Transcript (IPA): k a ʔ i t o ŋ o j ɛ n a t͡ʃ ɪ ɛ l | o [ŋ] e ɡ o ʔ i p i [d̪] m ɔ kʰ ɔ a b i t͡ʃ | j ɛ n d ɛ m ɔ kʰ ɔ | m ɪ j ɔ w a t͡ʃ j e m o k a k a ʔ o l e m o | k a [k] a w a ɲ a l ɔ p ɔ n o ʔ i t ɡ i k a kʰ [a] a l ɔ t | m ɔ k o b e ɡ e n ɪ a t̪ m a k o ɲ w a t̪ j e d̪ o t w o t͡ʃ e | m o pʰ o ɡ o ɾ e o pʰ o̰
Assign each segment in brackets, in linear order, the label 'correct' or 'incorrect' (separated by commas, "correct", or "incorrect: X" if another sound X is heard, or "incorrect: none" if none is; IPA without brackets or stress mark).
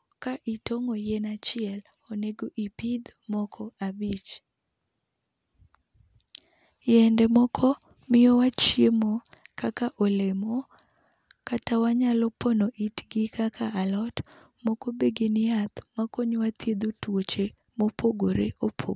incorrect: n, correct, incorrect: t, correct